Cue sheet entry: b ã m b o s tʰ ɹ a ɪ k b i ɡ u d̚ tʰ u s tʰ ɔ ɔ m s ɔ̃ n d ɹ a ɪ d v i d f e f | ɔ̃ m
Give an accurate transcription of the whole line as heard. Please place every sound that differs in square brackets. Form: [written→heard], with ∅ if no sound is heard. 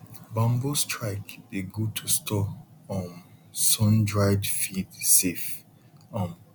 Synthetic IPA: b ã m b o s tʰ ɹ a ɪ k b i ɡ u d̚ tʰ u s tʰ ɔ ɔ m s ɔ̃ n d ɹ a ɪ d [v→f] i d [f→s] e f | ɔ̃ m